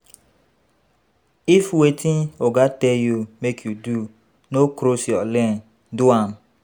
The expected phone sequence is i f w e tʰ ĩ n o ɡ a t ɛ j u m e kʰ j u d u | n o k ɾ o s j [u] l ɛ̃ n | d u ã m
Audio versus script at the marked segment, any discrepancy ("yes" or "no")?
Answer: yes